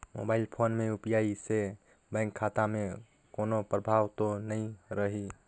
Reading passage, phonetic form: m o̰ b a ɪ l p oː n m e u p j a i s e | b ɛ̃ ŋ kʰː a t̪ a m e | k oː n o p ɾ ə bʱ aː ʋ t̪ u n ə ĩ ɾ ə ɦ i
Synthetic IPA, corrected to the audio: m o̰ b a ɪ l pʰ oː n m e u p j a i s e | b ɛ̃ ŋ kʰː a t̪ a m e | k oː n o p ɾ ə bʱ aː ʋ t̪ o n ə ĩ ɾ ə ɦ i